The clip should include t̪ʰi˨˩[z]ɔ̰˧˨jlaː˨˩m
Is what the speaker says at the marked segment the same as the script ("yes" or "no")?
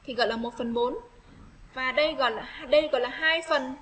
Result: no